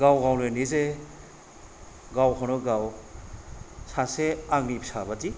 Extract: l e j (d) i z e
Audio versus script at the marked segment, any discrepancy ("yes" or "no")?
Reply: yes